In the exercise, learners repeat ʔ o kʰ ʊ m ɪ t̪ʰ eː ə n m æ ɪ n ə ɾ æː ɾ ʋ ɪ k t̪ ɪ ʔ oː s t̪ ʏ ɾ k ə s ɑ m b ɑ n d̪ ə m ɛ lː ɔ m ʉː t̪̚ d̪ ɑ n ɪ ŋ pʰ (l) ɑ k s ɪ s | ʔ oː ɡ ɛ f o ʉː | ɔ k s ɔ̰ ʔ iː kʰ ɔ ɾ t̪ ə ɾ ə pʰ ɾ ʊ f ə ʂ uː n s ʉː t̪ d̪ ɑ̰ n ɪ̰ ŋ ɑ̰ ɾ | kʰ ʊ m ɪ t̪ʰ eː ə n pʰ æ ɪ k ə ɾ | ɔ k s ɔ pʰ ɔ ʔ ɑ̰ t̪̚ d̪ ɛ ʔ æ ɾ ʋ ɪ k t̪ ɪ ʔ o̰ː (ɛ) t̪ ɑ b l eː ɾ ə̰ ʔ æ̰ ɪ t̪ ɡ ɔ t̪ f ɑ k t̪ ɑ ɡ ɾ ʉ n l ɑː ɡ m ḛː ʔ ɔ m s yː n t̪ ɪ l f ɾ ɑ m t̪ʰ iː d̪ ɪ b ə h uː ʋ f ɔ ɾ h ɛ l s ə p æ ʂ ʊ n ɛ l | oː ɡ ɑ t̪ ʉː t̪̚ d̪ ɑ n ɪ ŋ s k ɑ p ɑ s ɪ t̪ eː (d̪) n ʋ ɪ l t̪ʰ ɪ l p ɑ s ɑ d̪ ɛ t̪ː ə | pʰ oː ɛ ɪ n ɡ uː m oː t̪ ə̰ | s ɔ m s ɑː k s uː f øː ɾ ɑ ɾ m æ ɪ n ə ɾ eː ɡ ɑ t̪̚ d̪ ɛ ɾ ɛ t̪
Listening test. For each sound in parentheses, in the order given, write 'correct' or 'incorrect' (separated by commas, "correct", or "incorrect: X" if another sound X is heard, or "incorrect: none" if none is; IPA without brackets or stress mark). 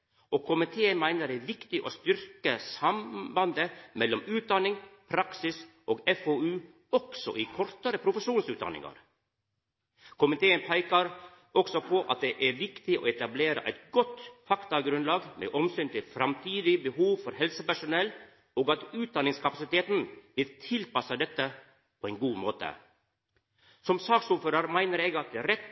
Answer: incorrect: ɾ, correct, incorrect: t̪